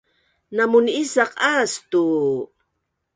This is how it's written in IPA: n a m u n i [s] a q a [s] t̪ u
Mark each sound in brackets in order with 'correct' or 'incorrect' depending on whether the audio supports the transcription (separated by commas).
correct, correct